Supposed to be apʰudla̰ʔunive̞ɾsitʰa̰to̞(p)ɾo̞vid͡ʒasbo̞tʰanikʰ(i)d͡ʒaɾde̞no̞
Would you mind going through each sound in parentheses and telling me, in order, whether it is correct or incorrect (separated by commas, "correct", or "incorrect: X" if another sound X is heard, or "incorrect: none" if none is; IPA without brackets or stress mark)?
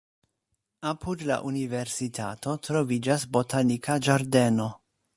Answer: incorrect: t, incorrect: a